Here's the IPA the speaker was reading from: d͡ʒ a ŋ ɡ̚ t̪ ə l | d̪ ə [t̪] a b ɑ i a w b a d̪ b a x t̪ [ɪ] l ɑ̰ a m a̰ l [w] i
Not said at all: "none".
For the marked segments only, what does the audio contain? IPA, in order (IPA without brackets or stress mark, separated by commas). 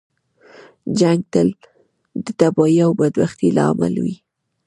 t̪, i, w